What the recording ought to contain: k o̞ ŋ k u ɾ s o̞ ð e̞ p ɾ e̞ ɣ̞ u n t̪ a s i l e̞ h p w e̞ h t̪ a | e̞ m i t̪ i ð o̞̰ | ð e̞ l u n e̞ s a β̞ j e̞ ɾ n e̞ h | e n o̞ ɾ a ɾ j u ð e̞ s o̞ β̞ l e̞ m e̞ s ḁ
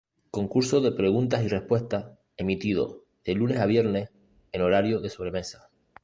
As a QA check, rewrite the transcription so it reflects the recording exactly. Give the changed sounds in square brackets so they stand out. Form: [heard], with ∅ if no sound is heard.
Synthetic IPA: k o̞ ŋ k u ɾ s o̞ ð e̞ p ɾ e̞ ɣ̞ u n t̪ a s i [r] e̞ h p w e̞ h t̪ a | e̞ m i t̪ i ð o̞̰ | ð e̞ l u n e̞ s a β̞ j e̞ ɾ n e̞ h | e n o̞ ɾ a ɾ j [o] ð e̞ s o̞ β̞ [ɾ] e̞ m e̞ s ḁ